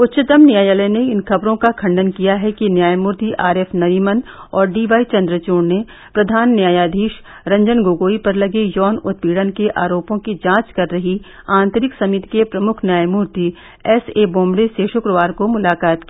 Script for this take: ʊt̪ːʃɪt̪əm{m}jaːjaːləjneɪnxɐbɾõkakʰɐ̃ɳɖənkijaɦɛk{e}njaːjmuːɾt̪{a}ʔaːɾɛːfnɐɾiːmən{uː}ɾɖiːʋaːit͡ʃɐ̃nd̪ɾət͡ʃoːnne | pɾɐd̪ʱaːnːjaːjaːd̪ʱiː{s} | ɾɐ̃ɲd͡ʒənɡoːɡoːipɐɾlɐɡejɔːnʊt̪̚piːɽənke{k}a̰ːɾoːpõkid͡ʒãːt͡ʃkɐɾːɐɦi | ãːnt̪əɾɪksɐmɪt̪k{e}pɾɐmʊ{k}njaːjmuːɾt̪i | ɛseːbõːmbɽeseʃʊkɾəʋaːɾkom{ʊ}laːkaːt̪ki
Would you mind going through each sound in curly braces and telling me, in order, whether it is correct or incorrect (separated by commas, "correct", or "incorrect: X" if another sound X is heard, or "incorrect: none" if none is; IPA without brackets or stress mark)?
incorrect: n, incorrect: i, incorrect: i, incorrect: ɔː, incorrect: ʃ, incorrect: ʔ, correct, incorrect: kʰ, correct